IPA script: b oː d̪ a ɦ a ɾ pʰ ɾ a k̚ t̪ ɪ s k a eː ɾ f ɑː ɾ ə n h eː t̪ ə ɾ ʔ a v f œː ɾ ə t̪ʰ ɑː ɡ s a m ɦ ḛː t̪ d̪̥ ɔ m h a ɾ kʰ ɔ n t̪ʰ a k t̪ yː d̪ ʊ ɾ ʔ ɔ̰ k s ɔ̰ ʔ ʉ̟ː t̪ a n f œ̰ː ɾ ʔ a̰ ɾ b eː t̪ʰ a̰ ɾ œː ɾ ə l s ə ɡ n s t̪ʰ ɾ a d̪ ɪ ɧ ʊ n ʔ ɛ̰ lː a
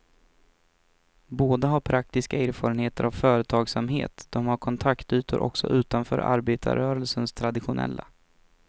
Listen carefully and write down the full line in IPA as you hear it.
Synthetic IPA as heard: b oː d̪ a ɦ a ɾ pʰ ɾ a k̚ t̪ ɪ s k a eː ɾ f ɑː ɾ ə n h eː t̪ ə ɾ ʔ a v f œː ɾ ə t̪ʰ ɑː ɡ s a m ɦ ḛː t̪ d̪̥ ɔ m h a ɾ kʰ ɔ n t̪ʰ a k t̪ yː t̪ ʊ ɾ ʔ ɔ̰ k s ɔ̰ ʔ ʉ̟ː t̪ a n f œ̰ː ɾ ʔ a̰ ɾ b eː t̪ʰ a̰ ɾ œː ɾ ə l s ə n s t̪ʰ ɾ a d̪ ɪ ɧ ʊ n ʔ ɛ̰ lː a